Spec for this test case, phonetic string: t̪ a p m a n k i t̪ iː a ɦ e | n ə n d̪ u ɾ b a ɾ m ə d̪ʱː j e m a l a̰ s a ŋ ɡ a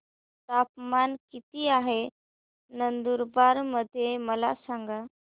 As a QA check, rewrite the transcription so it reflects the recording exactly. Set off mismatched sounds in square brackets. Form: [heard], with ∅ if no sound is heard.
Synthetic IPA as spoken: t̪ a p m a n k i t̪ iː a ɦ e | n ə n d̪ u ɾ b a ɾ m ə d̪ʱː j e m [ə] l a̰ s a ŋ ɡ a